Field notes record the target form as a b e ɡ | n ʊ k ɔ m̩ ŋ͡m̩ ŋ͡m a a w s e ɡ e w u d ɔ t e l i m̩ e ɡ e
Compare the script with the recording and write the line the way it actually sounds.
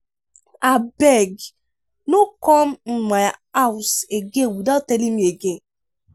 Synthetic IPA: a b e ɡ | n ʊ k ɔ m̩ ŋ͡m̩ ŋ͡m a a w s e ɡ e w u d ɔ t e l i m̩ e ɡ e